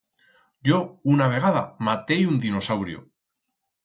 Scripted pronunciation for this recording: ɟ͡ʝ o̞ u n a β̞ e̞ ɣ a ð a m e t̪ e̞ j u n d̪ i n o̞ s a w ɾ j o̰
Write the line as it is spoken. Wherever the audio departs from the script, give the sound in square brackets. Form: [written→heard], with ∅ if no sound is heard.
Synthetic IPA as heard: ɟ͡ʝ o̞ u n a β̞ e̞ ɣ a ð a m [e→a] t̪ e̞ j u n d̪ i n o̞ s a w ɾ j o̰